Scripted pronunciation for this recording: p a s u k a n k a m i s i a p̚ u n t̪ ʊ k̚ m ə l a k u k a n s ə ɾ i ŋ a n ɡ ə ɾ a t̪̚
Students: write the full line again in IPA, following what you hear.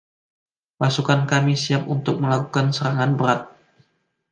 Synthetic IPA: p a s u k a n k a m i s i a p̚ u n t̪ ʊ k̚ m ə l a k u k a n s ə ɾ a ŋ a n b ə ɾ a t̪̚